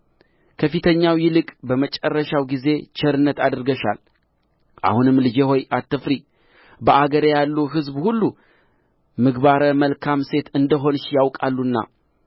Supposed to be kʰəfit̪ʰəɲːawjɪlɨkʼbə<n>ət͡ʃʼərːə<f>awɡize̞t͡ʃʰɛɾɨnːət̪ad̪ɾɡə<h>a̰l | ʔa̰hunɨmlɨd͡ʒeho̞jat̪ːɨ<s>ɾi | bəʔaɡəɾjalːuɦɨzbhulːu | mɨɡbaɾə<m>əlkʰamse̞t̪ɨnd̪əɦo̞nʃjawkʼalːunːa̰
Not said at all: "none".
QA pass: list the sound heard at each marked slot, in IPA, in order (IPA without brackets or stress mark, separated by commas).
m, ʃ, ʃ, f, m